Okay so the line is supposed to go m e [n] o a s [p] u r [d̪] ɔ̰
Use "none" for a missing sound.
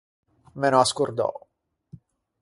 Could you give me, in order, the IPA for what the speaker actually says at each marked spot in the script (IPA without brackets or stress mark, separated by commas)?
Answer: n, k, d̪